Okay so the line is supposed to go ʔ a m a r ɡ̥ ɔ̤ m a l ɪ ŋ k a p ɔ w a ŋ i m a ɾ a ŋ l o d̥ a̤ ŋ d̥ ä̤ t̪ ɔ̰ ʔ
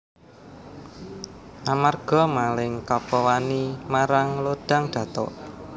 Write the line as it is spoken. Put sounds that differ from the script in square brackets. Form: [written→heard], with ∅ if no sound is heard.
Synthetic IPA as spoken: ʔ a m a r ɡ̥ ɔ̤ m a l ɪ ŋ k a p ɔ w a [ŋ→n] i m a ɾ a ŋ l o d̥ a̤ ŋ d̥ ä̤ t̪ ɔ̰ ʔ